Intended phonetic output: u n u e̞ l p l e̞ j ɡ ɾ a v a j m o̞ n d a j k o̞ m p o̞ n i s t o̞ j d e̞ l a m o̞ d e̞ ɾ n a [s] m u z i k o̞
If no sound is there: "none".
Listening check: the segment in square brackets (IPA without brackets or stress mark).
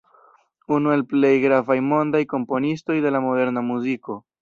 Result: none